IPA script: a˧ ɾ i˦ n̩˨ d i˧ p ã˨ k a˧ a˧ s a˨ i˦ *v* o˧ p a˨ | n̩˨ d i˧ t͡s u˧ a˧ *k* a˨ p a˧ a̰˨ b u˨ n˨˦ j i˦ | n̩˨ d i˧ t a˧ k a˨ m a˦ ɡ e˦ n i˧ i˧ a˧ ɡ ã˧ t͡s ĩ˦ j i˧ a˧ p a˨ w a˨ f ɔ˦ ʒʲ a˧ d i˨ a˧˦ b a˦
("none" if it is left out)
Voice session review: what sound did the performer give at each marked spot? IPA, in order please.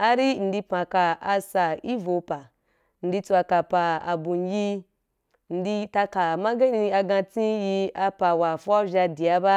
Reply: v, k

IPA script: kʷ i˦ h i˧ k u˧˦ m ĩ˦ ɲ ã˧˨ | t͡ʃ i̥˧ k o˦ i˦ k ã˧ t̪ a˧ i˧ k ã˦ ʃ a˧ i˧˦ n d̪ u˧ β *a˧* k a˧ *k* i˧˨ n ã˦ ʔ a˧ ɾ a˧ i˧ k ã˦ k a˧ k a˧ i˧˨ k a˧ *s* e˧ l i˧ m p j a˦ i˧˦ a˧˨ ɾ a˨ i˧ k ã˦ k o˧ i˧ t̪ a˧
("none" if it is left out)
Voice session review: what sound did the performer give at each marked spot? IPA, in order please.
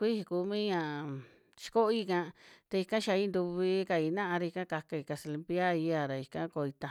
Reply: i˧, none, s

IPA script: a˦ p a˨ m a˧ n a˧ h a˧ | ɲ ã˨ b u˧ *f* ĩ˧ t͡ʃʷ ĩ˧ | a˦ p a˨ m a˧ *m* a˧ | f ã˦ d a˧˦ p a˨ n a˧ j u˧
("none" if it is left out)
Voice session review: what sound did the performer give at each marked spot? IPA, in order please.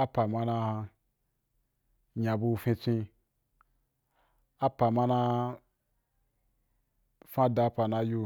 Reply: f, n

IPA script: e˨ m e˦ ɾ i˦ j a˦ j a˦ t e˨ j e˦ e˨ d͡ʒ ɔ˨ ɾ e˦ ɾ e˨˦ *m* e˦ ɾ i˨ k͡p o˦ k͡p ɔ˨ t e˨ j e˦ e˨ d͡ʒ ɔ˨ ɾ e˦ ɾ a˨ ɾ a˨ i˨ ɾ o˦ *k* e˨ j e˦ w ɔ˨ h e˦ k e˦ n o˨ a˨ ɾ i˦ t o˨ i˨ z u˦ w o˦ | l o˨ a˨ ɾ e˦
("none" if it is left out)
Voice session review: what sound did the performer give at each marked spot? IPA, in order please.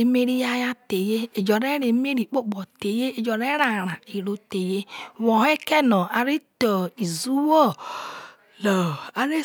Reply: m, t

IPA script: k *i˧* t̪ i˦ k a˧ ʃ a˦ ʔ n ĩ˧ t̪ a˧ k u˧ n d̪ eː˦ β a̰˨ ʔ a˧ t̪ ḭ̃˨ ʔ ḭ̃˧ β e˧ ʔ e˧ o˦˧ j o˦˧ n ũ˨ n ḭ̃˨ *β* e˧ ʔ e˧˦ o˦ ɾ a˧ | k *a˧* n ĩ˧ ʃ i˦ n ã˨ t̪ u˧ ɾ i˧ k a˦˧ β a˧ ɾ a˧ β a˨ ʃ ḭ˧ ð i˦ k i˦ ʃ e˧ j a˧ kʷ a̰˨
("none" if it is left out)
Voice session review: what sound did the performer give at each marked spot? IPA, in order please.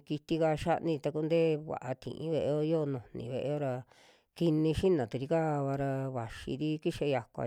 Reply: i˧, β, i˧

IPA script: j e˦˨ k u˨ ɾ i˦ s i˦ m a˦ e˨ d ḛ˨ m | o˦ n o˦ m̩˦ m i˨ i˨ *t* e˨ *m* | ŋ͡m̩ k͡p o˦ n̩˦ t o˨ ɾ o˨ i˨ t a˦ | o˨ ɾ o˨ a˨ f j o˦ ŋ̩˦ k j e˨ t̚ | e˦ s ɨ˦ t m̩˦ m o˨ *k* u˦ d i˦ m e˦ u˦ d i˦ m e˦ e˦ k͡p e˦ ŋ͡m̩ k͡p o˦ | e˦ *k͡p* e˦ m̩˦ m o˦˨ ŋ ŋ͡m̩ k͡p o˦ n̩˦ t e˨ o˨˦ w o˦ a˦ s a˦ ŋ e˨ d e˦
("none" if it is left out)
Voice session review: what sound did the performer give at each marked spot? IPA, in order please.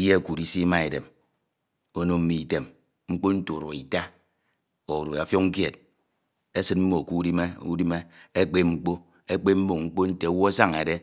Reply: t, m, k, k͡p

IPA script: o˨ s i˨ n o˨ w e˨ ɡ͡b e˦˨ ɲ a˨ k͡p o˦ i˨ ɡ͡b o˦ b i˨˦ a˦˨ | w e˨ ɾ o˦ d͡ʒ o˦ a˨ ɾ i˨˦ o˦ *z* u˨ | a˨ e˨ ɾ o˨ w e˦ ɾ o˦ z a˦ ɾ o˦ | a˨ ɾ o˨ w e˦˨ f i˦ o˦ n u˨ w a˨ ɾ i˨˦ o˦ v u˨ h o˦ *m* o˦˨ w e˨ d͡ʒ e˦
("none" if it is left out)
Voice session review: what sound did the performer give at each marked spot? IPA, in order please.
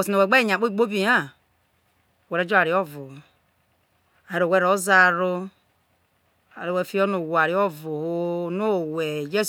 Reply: v, n

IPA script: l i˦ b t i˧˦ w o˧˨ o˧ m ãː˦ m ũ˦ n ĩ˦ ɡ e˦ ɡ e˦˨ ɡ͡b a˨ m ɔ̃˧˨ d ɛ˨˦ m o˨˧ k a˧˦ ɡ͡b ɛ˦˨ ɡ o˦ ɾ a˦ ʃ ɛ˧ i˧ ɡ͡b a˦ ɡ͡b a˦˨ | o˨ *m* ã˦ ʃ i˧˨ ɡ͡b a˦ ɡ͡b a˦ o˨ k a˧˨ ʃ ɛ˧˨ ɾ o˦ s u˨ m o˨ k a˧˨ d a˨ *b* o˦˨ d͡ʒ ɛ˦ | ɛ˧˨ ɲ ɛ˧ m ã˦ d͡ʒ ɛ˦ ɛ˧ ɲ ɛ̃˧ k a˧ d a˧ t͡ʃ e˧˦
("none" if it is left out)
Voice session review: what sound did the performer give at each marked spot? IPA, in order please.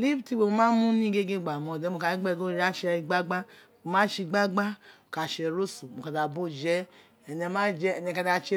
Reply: m, b

